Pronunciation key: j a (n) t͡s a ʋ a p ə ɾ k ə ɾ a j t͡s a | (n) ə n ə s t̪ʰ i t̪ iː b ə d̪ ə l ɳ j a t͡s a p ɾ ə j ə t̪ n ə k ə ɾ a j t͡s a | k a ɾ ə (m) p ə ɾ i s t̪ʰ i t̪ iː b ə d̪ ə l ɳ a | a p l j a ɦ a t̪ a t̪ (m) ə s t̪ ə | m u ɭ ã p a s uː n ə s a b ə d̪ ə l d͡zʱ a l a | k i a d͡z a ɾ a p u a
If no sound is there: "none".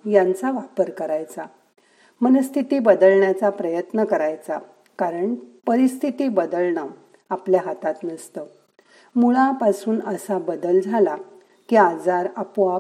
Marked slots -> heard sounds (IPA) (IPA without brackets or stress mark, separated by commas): n, m, ɳ, n